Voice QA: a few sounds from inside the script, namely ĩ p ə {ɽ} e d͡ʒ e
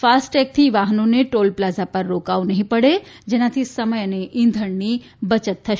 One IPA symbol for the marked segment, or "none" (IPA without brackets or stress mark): ɽ